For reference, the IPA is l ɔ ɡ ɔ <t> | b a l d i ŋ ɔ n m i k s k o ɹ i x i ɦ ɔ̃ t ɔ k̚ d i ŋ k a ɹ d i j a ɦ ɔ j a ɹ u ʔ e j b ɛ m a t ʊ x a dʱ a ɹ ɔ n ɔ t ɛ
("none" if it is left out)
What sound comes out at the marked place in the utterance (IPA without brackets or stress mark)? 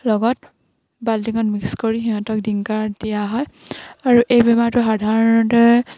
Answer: t